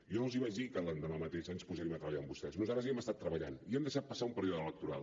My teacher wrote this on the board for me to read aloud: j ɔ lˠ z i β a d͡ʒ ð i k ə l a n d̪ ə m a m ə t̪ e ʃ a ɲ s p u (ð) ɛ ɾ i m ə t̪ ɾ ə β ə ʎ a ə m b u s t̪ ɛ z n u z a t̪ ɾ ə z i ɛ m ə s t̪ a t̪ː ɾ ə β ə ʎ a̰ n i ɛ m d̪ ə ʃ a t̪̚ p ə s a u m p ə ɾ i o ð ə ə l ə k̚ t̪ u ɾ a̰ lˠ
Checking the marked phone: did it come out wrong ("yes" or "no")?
yes